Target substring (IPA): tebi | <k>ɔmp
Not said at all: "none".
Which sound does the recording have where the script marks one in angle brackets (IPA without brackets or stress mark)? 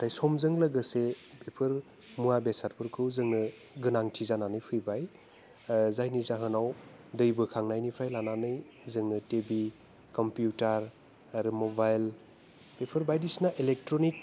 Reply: k